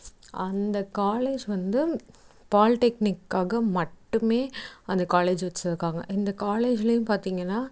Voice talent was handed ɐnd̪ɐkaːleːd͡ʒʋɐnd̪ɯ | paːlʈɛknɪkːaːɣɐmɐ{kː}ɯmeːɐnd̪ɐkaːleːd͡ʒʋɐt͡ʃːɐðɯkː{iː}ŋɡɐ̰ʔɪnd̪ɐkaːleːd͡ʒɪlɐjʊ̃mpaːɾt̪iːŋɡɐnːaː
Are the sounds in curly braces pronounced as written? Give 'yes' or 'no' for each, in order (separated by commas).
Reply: no, no